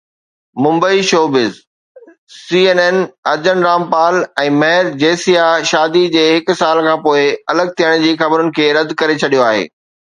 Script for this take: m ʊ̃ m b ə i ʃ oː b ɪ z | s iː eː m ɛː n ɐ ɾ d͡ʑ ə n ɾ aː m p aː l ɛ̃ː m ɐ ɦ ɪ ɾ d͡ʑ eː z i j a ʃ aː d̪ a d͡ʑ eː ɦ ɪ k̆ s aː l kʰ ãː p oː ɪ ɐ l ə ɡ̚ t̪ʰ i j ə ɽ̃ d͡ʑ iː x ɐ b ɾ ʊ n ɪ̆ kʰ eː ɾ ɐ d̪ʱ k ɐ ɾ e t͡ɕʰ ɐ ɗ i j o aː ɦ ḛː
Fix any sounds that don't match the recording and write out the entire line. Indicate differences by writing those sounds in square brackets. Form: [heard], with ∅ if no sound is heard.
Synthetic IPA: m ʊ̃ m b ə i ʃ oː b ɪ z | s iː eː [n] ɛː n ɐ ɾ d͡ʑ ə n ɾ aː m p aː l ɛ̃ː m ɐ ɦ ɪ ɾ d͡ʑ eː [s] i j a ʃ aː d̪ [i] d͡ʑ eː ɦ ɪ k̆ s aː l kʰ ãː p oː ɪ ɐ l ə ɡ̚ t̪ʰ i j ə ɽ̃ d͡ʑ iː x ɐ b ɾ ʊ n ɪ̆ kʰ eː ɾ ɐ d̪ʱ k ɐ ɾ e t͡ɕʰ ɐ ɗ i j o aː ɦ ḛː